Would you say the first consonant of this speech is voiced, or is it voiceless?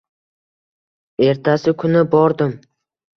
voiced